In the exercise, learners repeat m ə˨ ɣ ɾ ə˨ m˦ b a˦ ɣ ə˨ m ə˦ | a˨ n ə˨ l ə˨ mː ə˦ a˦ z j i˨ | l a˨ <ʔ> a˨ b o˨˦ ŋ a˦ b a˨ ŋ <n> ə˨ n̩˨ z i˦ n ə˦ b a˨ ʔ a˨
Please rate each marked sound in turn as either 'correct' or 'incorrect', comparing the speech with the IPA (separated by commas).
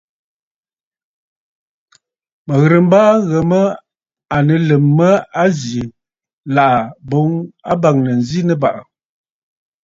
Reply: correct, correct